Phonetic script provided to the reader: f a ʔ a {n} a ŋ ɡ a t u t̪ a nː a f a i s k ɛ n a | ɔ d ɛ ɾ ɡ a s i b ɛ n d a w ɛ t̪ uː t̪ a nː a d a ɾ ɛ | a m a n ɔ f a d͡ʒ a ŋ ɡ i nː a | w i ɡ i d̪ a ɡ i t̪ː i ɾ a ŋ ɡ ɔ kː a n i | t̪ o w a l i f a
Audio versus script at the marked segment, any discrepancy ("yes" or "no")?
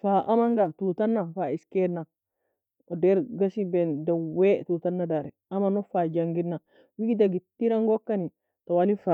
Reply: yes